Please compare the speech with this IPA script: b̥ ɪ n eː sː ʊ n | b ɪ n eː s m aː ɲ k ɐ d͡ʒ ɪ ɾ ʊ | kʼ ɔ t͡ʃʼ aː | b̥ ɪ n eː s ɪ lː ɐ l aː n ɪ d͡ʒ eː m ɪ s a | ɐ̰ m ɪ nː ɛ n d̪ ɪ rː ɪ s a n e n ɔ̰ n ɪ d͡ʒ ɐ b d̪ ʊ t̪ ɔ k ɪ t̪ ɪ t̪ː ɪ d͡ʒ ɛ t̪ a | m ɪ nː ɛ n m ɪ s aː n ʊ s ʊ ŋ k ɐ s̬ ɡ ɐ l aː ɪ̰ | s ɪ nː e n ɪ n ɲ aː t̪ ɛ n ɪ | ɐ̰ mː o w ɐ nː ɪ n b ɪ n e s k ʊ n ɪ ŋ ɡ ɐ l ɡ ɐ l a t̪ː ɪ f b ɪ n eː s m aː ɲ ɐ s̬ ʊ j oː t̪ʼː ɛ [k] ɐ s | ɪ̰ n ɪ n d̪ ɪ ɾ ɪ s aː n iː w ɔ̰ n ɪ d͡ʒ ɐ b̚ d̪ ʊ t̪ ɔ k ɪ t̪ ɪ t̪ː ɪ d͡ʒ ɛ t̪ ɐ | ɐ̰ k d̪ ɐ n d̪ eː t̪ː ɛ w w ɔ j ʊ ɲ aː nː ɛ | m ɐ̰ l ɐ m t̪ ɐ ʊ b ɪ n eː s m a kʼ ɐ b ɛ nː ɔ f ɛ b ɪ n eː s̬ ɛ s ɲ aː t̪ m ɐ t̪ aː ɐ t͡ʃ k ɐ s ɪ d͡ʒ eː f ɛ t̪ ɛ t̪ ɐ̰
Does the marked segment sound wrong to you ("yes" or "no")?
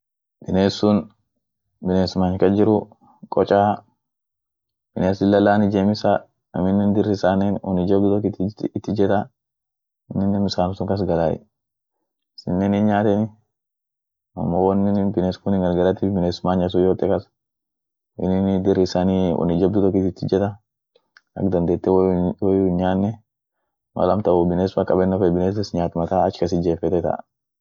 no